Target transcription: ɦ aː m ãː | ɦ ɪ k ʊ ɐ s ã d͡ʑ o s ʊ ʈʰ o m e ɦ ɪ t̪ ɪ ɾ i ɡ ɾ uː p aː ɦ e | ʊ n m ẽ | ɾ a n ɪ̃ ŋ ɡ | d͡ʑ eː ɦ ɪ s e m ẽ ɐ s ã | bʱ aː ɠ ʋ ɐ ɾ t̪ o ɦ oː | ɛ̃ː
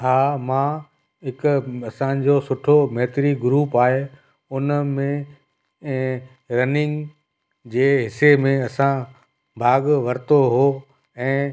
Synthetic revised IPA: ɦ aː m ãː | ɦ ɪ k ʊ ɐ s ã d͡ʑ o s ʊ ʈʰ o m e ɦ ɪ t̪ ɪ ɾ i ɡ ɾ uː p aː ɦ e | ʊ n m ẽ | ɾ ɐ n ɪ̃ ŋ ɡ | d͡ʑ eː ɦ ɪ s e m ẽ ɐ s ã | bʱ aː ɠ ʋ ɐ ɾ t̪ o ɦ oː | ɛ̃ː